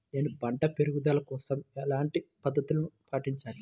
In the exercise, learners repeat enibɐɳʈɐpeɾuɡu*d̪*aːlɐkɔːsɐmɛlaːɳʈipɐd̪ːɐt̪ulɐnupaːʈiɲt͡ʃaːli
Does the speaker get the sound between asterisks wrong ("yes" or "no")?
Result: no